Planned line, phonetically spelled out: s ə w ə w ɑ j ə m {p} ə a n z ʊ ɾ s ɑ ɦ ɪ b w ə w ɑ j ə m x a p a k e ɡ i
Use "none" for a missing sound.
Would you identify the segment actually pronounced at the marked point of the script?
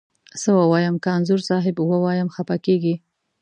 k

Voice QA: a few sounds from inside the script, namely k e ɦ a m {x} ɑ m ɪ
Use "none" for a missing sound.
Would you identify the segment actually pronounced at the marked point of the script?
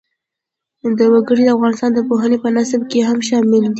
ʃ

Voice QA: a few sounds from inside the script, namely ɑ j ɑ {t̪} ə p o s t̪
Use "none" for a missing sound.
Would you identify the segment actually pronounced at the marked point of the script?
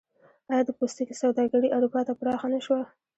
d̪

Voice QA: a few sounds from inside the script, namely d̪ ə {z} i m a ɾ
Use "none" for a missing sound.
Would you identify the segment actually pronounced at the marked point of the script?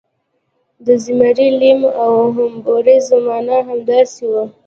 z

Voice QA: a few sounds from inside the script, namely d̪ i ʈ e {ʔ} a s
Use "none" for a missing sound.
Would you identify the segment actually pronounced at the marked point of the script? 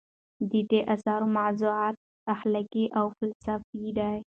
ʔ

